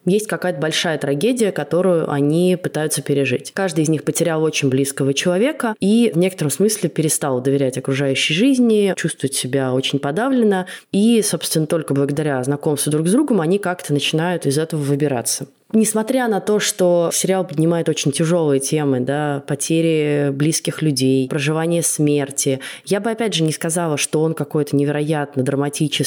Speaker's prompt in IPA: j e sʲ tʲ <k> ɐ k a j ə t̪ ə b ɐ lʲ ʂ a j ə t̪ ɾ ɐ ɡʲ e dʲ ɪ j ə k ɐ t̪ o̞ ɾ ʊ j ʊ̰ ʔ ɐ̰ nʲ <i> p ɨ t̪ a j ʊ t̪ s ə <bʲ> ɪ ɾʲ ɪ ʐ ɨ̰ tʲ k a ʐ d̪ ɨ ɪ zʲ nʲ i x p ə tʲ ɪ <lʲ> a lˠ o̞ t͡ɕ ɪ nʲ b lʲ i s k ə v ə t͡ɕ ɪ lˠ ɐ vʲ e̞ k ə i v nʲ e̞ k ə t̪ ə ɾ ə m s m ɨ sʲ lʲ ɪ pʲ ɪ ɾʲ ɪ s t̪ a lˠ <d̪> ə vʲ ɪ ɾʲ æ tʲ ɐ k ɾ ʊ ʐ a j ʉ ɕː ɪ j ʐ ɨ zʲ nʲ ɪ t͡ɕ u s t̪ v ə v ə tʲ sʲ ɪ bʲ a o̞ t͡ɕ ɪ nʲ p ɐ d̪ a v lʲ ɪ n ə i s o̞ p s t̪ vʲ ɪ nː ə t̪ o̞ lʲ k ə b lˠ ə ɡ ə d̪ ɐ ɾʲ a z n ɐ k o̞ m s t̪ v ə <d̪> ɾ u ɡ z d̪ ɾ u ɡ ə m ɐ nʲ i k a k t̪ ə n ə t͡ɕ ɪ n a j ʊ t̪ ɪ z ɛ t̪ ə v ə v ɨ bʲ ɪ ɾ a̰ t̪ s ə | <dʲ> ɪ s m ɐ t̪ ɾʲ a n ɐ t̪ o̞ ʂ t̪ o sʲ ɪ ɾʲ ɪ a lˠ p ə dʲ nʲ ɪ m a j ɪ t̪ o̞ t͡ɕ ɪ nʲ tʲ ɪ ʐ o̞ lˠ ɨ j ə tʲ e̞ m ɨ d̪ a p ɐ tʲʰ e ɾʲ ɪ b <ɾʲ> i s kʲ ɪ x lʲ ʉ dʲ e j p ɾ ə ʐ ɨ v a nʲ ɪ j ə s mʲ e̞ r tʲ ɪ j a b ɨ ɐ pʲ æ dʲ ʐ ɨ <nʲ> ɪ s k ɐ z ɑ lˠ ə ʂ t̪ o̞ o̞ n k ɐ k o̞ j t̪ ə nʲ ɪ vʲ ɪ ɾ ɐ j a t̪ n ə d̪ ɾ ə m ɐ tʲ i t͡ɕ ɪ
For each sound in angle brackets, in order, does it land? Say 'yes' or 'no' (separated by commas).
yes, yes, no, no, yes, yes, no, no, yes